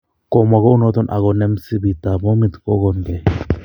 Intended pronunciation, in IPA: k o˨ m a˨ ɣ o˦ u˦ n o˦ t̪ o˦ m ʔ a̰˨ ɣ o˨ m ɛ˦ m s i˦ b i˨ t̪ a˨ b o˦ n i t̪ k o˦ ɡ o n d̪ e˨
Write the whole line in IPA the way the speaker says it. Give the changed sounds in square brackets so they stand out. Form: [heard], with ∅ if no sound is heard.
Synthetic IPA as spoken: k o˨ m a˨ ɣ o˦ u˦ n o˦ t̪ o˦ [n] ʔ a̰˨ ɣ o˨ [n] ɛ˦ m s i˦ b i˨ t̪ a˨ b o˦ [m] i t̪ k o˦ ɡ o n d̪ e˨